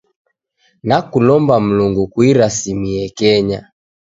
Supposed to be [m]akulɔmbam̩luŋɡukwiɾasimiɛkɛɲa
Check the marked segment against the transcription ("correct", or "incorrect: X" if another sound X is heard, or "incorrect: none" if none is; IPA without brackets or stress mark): incorrect: n